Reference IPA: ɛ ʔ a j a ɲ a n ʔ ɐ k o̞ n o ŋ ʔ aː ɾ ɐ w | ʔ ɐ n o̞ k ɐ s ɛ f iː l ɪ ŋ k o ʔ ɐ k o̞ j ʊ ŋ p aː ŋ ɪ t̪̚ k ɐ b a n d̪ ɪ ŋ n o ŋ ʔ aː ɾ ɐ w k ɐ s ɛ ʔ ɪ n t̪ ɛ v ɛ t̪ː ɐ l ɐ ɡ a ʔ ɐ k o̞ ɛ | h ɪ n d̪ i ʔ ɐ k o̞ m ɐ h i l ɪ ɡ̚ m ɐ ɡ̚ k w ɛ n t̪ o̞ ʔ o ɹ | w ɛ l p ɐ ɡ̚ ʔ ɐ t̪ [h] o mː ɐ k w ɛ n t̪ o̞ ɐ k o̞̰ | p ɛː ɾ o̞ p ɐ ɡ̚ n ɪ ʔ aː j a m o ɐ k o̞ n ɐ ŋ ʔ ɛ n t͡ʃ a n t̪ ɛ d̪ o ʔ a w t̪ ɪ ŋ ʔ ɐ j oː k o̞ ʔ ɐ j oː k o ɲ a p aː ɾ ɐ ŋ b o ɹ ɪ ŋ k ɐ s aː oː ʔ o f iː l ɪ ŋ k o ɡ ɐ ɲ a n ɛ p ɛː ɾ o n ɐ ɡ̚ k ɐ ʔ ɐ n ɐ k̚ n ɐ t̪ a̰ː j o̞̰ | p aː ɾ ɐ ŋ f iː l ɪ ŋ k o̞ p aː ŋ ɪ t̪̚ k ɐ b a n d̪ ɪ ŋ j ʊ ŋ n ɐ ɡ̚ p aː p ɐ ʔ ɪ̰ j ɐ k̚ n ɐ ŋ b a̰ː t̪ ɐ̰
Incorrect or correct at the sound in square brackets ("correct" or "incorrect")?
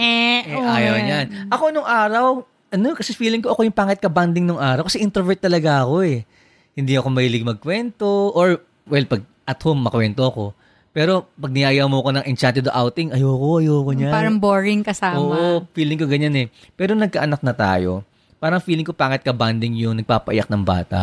correct